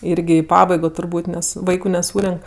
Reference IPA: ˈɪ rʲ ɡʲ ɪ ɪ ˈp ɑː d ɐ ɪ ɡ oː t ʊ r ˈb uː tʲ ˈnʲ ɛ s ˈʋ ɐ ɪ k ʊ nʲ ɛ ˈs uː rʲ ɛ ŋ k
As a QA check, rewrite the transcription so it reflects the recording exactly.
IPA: ˈɪ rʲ ɡʲ ɪ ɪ ˈp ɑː b ɐ ɪ ɡ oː t ʊ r ˈb uː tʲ ˈnʲ ɛ s ˈʋ ɐ ɪ k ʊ nʲ ɛ ˈs uː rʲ ɛ ŋ k